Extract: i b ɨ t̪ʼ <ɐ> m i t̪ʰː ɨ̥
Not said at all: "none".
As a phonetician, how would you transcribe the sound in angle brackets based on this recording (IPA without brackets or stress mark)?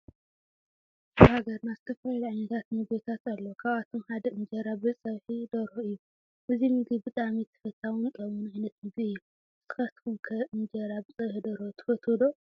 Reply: a